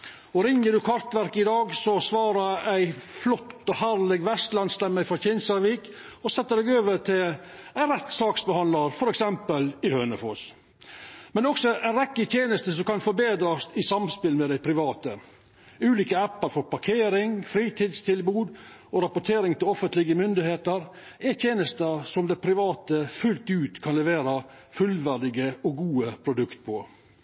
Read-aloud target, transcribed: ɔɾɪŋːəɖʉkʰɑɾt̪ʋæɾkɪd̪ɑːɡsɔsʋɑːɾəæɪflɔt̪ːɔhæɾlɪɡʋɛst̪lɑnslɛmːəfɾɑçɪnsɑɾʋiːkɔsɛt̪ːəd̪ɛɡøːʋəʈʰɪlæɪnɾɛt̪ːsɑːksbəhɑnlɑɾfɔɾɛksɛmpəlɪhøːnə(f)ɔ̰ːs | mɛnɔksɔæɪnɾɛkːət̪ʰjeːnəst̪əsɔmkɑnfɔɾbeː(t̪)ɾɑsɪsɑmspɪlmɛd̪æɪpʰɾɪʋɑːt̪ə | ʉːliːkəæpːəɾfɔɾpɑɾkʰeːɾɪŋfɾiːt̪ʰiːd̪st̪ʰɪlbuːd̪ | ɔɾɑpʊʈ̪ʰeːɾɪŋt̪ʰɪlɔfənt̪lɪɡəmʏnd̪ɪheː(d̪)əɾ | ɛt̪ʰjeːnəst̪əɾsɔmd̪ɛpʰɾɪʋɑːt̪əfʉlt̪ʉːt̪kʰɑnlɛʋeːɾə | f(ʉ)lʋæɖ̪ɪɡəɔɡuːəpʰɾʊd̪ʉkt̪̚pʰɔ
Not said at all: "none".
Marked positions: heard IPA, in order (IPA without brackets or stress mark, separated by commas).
f, d̪, t̪, ʉ